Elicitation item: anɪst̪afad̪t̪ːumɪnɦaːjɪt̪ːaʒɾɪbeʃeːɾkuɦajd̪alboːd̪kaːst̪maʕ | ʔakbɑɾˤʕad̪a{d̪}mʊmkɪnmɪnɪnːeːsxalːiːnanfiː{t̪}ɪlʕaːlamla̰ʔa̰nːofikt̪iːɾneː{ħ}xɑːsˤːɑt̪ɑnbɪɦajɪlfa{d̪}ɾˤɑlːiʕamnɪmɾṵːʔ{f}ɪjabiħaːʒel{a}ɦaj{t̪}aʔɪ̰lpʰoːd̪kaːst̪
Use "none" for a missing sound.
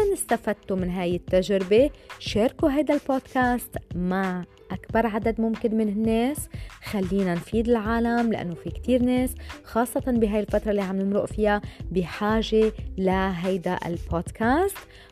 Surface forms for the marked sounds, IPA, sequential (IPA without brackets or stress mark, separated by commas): d̪, d̪, s, t̪, f, a, d̪